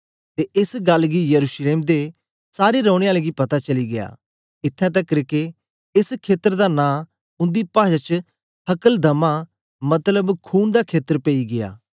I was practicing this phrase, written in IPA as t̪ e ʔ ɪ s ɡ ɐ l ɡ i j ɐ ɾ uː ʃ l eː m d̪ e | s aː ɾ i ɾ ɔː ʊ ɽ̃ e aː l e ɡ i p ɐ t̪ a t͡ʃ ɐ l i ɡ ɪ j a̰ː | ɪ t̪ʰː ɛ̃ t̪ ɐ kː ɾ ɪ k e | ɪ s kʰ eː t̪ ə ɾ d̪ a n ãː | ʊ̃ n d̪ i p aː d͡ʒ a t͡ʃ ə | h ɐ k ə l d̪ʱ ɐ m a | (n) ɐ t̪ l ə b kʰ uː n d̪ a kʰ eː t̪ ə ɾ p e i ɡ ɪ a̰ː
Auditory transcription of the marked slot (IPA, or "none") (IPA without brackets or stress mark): m